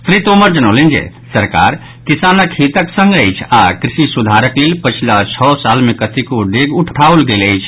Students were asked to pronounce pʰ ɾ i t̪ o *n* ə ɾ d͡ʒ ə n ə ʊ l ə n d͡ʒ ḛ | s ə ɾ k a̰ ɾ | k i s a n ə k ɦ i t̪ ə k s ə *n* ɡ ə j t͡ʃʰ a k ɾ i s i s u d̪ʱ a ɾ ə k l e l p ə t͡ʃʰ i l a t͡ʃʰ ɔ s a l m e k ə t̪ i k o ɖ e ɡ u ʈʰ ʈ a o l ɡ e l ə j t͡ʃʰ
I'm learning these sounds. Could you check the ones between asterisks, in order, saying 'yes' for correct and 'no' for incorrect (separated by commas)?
no, no